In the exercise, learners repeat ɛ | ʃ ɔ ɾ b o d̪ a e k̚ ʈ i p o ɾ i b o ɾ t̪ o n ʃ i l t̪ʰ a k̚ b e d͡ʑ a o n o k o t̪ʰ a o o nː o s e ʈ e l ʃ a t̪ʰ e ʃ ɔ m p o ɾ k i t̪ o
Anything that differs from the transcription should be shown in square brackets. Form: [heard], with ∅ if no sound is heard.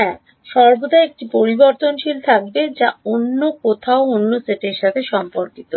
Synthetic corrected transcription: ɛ | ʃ ɔ ɾ b o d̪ a e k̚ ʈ i p o ɾ i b o ɾ t̪ o n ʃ i l t̪ʰ a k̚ b e d͡ʑ a o [nː] o k o t̪ʰ a o o nː o s e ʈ e [ɾ] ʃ a t̪ʰ e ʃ ɔ m p o ɾ k i t̪ o